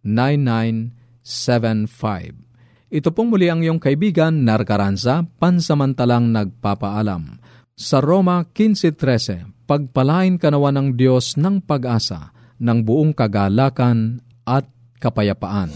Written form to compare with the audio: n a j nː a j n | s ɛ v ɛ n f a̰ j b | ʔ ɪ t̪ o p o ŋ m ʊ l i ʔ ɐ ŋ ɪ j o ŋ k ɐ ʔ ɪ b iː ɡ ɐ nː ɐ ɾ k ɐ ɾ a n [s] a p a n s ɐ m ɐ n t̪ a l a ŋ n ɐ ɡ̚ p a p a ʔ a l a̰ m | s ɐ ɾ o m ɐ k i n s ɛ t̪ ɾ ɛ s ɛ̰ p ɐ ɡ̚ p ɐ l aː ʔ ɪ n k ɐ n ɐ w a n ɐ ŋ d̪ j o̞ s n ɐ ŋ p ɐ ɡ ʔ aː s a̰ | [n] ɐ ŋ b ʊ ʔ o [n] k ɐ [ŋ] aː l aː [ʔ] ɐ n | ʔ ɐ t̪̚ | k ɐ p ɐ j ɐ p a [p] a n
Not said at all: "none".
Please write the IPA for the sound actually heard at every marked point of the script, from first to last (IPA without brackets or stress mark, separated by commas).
s, n, ŋ, ɡ, k, ʔ